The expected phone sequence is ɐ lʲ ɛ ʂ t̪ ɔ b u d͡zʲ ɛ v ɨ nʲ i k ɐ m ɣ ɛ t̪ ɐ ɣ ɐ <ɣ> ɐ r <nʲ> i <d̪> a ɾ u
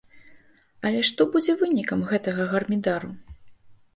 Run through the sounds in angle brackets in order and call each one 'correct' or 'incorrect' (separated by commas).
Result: correct, incorrect, correct